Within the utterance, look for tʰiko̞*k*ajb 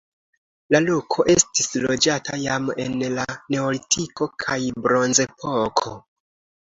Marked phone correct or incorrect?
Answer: incorrect: kʰ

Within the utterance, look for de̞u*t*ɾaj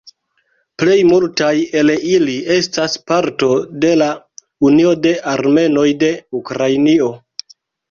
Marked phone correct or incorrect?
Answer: incorrect: k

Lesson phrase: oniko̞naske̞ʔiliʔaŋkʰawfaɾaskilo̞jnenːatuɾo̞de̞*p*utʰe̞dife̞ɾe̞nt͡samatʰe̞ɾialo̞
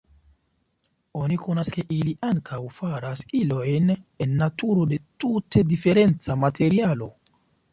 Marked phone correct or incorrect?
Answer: incorrect: t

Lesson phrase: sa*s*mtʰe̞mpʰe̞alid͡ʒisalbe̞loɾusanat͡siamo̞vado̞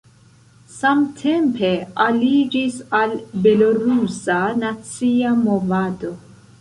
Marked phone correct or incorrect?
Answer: incorrect: none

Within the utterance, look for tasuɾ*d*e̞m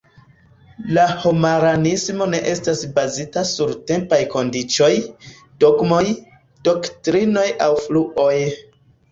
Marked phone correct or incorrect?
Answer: incorrect: t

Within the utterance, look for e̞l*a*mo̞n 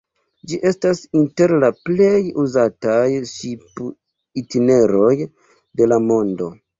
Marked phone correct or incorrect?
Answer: correct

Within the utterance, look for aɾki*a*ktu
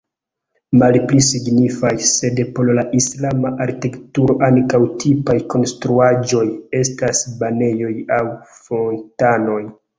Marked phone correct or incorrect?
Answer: incorrect: e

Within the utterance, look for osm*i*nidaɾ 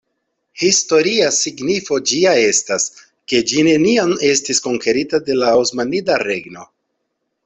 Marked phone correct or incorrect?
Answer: incorrect: a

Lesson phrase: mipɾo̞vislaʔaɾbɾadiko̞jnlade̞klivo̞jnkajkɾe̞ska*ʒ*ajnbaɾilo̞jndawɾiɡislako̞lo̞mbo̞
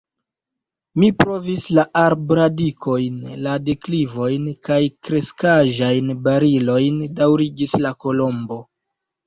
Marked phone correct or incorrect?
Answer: correct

